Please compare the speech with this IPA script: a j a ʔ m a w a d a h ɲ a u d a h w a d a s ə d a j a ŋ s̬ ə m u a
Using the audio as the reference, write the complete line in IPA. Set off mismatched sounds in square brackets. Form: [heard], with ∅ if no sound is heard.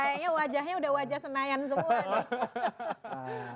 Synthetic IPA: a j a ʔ [ɲ] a w a [d͡ʒ] a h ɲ a u d a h w a [d͡ʒ] a s ə [n] a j a [n] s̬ ə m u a